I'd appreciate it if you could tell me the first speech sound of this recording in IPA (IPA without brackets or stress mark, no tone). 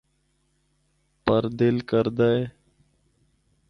p